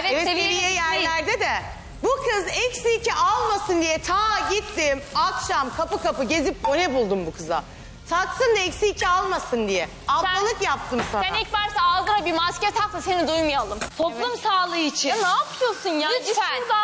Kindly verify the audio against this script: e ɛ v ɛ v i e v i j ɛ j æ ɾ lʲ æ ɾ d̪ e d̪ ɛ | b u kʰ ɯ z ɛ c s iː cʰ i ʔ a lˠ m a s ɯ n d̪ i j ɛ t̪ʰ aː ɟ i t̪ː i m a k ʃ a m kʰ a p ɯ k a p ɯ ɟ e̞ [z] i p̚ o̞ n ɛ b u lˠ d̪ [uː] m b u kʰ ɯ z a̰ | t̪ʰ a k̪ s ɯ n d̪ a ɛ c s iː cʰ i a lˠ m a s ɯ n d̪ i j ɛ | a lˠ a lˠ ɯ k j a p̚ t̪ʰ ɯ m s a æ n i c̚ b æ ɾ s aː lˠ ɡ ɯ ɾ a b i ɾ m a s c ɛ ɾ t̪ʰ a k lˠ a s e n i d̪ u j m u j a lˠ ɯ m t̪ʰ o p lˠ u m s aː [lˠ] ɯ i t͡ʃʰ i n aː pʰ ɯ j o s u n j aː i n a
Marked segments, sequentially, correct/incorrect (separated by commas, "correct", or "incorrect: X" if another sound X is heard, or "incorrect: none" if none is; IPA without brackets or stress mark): correct, incorrect: u, correct